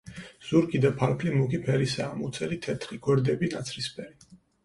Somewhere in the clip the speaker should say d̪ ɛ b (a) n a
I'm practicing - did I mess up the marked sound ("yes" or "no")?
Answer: yes